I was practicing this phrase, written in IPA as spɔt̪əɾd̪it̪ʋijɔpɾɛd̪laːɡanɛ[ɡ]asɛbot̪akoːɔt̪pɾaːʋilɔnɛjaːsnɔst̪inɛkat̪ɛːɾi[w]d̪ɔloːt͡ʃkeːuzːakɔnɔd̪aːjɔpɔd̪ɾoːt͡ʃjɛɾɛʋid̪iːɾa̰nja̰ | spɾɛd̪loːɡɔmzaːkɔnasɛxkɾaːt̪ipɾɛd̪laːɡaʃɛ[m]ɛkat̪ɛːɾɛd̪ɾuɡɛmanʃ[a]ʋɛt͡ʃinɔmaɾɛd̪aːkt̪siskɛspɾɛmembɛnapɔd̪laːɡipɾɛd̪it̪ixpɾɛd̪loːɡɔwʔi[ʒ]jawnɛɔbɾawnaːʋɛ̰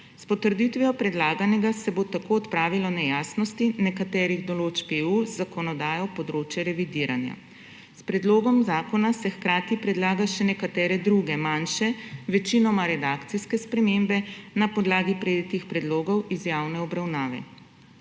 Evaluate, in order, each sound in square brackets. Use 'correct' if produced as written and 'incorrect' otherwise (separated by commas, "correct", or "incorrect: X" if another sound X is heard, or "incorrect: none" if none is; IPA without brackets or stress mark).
correct, incorrect: ɣ, incorrect: n, incorrect: ɛ, incorrect: z